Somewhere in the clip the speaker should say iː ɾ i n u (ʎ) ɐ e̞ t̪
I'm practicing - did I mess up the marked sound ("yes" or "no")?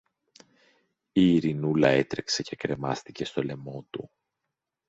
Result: yes